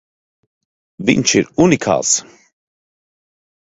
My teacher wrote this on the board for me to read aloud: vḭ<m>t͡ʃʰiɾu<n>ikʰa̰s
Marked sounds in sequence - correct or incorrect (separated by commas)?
incorrect, correct